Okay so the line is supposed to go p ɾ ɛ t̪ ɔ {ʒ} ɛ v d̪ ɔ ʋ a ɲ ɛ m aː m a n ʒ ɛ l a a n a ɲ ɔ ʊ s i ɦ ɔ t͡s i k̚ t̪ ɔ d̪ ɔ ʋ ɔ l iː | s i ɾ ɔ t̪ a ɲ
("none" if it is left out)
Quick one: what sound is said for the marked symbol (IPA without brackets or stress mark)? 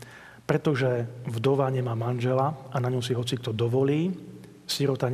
ʒ